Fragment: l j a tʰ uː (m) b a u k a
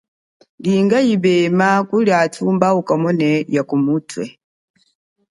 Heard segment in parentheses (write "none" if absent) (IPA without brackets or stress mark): m